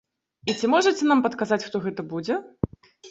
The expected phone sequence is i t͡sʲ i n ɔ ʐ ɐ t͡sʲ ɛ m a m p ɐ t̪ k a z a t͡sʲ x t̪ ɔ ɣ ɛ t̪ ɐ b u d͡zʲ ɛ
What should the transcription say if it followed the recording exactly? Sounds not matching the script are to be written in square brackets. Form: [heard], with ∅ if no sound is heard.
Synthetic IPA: i t͡sʲ i [m] ɔ ʐ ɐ t͡sʲ ɛ [n] a m p ɐ t̪ k a z a t͡sʲ x t̪ ɔ ɣ ɛ t̪ ɐ b u d͡zʲ ɛ